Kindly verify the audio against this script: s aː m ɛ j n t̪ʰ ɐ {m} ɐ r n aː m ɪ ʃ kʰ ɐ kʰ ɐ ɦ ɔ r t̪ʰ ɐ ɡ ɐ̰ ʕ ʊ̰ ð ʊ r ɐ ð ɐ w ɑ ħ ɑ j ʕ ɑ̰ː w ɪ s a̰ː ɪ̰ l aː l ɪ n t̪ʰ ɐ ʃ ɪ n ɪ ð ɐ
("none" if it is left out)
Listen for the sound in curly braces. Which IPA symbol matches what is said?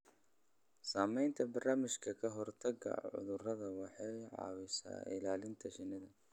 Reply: b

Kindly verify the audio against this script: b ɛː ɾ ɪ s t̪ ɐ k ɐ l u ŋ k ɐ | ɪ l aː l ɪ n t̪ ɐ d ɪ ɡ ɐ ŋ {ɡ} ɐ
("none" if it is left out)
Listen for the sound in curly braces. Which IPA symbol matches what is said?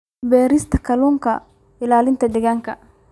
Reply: k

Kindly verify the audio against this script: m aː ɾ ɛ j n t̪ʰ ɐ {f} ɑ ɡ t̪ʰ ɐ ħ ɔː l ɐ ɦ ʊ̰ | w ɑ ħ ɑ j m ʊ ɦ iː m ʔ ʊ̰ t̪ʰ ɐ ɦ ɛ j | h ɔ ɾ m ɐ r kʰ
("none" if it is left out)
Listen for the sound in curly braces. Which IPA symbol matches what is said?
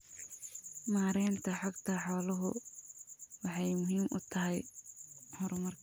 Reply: ħ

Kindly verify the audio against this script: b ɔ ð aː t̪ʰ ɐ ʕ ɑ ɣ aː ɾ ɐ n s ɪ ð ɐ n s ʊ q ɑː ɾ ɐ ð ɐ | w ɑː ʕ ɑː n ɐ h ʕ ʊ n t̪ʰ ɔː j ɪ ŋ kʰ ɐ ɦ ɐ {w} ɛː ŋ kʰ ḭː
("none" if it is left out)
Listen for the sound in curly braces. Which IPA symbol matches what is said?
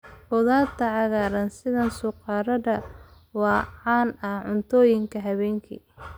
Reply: β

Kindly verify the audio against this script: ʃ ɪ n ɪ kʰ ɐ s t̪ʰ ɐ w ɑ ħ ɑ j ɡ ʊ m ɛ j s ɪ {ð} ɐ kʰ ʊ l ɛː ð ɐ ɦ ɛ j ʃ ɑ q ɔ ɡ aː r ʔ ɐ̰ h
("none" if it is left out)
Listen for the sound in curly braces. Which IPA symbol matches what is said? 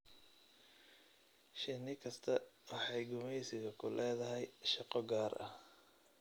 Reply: ɣ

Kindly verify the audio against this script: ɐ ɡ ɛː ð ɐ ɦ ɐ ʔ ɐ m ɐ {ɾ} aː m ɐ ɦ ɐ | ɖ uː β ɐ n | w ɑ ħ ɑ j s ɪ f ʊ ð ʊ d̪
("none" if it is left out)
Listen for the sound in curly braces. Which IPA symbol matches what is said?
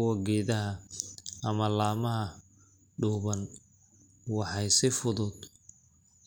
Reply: l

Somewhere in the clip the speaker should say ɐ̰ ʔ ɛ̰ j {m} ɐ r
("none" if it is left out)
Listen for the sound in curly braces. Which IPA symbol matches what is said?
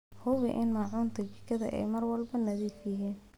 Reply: m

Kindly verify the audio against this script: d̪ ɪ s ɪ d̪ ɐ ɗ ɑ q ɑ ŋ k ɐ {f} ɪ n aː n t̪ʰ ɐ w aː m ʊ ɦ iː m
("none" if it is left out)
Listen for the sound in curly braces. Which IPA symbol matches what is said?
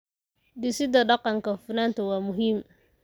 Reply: f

